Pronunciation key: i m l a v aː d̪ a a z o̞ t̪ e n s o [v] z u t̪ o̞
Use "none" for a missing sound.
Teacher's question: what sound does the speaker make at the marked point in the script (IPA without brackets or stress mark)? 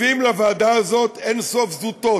f